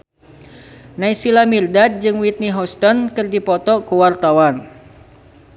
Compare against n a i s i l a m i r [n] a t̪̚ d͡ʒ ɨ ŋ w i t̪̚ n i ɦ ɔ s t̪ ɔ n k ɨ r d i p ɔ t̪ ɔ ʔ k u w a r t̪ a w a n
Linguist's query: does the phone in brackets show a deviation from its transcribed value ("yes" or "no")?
yes